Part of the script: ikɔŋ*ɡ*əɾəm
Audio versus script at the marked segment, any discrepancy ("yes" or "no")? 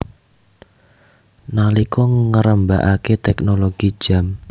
yes